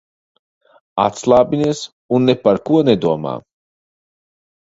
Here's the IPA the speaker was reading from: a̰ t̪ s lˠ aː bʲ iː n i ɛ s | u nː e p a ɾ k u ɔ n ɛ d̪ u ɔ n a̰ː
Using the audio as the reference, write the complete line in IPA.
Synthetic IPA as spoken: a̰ t̪ s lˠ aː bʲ i n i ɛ s | u nː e p a ɾ k u ɔ n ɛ d̪ u ɔ m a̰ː

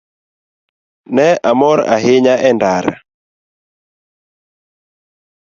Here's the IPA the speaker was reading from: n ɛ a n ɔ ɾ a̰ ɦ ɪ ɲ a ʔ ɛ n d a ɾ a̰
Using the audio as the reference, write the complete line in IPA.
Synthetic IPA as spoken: n ɛ a m ɔ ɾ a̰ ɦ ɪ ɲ a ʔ ɛ n d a ɾ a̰

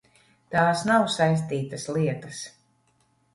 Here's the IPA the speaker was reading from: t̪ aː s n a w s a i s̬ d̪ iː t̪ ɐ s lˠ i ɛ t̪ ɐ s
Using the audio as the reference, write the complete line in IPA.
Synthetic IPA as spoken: t̪ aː s n a w s a j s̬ t̪ iː t̪ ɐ s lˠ i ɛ t̪ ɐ s

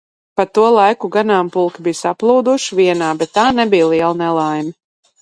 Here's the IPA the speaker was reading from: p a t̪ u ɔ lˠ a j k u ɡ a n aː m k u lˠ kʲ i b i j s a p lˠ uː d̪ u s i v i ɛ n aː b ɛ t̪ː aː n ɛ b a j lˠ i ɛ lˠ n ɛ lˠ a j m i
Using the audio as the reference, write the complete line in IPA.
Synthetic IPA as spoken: p a t̪ u ɔ lˠ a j k u ɡ a n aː m p u lˠ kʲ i b i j s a p lˠ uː d̪ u ʃ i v i ɛ n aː b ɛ t̪ː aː n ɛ b i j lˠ i ɛ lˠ n ɛ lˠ a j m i

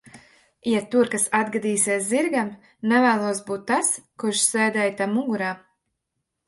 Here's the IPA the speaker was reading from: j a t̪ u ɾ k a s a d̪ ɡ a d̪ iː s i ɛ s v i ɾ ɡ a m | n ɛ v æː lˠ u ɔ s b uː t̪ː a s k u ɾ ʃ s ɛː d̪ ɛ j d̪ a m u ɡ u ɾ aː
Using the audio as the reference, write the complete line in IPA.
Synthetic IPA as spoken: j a t̪ u ɾ k a s a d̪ ɡ a d̪ iː s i ɛ s z i ɾ ɡ a m | n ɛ v æː lˠ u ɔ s b uː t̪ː a s k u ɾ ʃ s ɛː d̪ ɛ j t̪ a m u ɡ u ɾ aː

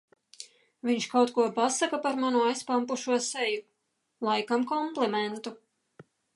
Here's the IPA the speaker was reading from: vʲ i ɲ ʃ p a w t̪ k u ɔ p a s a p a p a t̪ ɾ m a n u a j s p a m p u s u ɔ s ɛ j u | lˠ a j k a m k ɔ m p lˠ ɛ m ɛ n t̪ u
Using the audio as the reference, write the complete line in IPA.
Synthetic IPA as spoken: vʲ i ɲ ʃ k a w t̪ k u ɔ p a s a k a p a ɾ m a n u a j s p a m p u ʃ u ɔ s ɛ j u | lˠ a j k a m k ɔ m p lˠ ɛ m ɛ n t̪ u

